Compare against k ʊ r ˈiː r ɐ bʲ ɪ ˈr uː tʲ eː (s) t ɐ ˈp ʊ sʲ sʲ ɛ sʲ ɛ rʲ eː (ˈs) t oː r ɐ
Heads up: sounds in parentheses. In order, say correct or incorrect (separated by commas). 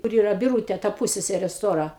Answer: incorrect, correct